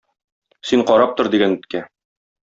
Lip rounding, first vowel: unrounded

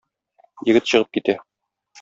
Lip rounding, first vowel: unrounded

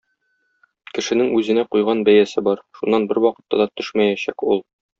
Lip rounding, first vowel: unrounded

